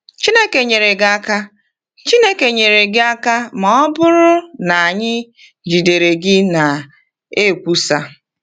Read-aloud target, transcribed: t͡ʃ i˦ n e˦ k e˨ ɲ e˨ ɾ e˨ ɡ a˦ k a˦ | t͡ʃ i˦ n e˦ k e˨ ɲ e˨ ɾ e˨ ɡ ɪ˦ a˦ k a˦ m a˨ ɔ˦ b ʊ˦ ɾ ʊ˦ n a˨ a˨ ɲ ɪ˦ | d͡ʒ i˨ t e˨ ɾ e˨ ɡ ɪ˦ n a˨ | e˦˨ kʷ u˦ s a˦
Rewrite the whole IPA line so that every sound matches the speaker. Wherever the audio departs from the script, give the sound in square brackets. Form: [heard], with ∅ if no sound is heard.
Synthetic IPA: t͡ʃ i˦ n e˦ k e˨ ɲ e˨ ɾ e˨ ɡ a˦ k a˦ | t͡ʃ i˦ n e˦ k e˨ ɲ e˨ ɾ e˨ ɡ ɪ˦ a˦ k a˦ m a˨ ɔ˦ b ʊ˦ ɾ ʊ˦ n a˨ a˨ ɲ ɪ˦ | d͡ʒ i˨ [d] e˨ ɾ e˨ ɡ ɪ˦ n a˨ | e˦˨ kʷ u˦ s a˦